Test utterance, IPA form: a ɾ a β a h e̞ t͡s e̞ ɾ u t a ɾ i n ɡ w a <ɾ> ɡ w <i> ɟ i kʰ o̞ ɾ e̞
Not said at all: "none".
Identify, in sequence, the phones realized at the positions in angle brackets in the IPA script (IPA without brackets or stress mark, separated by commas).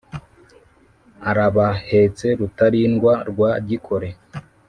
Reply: ɾ, a